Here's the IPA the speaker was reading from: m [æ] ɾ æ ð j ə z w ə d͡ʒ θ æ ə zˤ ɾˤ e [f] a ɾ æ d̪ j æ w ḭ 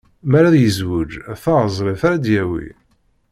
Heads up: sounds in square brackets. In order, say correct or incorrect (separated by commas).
correct, correct